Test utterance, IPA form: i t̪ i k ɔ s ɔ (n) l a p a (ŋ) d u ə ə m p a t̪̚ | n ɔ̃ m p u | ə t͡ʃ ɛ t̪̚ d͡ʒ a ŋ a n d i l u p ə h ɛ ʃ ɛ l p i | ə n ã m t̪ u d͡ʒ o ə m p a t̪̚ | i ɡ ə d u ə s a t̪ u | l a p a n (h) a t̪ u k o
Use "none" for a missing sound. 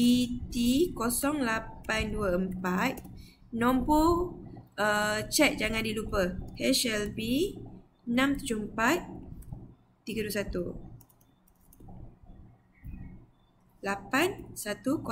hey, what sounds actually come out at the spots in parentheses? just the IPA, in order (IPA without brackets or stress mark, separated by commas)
ŋ, n, s